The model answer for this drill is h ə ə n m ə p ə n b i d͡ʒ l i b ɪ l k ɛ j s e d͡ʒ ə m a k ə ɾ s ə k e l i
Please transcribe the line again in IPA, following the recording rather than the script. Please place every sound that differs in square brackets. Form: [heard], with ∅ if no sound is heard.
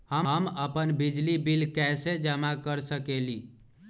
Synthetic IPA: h ə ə [∅] m ə p ə n b i d͡ʒ l i b [i] l k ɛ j s e d͡ʒ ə m a k ə ɾ s ə k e l i